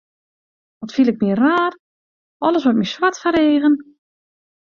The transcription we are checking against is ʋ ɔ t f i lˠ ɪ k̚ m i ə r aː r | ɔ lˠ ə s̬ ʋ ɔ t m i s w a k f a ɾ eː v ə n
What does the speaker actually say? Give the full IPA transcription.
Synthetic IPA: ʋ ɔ t f i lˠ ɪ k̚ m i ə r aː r | ɔ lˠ ə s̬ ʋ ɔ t m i s w a t f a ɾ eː ɣ ə n